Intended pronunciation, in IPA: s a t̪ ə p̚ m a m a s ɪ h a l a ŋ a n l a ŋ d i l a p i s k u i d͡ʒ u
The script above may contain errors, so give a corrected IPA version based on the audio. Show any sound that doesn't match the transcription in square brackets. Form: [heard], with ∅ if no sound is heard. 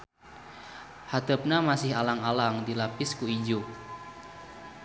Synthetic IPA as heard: [h] a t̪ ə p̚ [n] a m a s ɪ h a l a ŋ a [∅] l a ŋ d i l a p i s k u i d͡ʒ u